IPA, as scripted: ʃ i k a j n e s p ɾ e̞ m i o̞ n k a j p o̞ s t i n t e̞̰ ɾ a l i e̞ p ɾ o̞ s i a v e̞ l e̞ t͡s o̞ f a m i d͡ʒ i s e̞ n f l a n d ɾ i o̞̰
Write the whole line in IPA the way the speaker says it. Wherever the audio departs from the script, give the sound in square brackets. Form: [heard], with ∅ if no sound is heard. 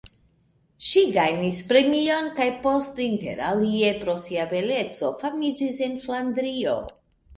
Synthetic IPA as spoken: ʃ i [ɡ] a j n [i] s p ɾ e̞ m i o̞ n k a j p o̞ s t i n t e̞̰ ɾ a l i e̞ p ɾ o̞ s i a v e̞ l e̞ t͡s o̞ f a m i d͡ʒ i s e̞ n f l a n d ɾ i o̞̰